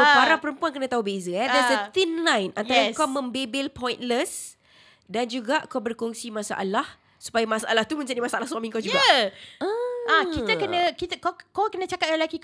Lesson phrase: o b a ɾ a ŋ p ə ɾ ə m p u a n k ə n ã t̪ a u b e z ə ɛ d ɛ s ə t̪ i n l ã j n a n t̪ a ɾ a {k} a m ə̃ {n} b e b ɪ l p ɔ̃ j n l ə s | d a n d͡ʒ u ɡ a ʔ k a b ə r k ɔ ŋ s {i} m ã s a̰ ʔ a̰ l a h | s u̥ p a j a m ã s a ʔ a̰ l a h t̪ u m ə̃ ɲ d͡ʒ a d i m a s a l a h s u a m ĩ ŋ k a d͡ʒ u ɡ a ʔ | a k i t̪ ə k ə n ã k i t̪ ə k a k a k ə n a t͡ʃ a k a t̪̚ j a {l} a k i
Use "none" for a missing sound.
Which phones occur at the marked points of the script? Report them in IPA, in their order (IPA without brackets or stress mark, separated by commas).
k, m, i, l